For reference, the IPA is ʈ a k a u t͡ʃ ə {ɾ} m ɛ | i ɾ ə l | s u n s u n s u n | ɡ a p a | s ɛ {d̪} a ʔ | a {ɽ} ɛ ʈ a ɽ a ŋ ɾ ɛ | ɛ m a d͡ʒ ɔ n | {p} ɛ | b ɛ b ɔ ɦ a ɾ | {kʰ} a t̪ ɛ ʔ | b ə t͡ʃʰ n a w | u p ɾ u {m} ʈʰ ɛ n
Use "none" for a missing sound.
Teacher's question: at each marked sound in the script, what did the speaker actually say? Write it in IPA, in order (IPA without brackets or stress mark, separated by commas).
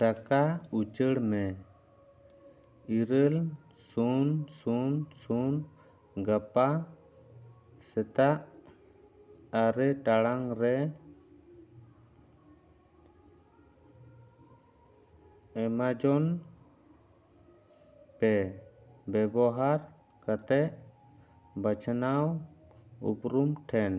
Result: ɽ, t̪, ɾ, p, k, m